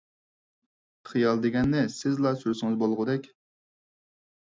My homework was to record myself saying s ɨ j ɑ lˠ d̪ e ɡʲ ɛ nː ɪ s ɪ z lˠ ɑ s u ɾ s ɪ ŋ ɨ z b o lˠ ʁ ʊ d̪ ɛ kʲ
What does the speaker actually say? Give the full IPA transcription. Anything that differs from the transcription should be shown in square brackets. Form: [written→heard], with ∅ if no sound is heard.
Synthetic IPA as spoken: [s→χ] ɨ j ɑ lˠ d̪ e ɡʲ ɛ nː ɪ s ɪ z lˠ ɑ s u ɾ s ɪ ŋ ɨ z b o lˠ ʁ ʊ d̪ ɛ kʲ